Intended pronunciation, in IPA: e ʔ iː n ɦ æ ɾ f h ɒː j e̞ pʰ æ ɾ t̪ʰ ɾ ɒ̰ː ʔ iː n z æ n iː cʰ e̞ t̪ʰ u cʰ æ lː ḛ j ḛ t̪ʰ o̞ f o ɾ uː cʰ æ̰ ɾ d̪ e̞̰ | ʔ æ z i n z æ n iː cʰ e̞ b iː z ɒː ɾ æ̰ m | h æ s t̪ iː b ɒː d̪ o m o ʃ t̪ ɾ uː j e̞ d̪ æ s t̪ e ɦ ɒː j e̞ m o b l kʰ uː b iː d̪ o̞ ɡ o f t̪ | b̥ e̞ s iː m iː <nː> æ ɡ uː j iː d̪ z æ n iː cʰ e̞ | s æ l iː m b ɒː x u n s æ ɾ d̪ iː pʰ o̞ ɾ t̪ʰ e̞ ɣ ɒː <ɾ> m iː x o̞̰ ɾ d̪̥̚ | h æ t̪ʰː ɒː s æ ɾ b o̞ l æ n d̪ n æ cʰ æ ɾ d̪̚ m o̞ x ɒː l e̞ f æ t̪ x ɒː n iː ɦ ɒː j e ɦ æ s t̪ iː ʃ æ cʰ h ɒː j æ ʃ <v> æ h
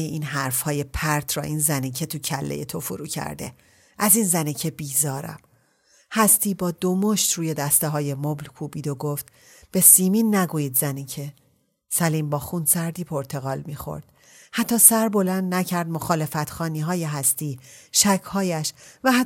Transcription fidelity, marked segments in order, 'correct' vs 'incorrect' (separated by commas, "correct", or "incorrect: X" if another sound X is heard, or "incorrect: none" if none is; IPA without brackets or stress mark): correct, incorrect: l, correct